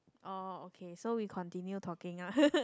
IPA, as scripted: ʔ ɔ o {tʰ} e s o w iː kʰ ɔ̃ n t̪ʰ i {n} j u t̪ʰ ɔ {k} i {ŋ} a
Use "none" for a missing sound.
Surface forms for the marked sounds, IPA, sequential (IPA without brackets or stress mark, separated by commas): kʰ, n, k, ŋ